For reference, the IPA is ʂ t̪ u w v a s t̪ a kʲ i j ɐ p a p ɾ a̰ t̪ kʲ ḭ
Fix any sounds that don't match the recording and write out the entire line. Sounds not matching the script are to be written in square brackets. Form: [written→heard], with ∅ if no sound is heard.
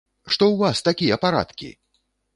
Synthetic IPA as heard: ʂ t̪ [u→ɔ] w v a s t̪ a kʲ i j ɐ p a [p→∅] ɾ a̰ t̪ kʲ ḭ